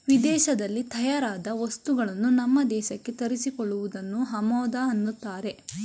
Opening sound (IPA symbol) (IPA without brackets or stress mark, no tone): ʋ